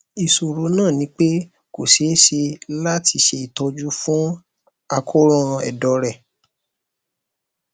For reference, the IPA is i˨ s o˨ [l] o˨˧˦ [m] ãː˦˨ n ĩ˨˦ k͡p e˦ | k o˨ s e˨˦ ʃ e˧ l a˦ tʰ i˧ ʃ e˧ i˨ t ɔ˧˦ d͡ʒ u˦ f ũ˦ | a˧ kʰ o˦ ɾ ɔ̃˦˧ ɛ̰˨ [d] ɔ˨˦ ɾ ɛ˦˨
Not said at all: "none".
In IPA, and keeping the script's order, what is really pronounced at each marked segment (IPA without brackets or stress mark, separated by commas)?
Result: ɾ, n, d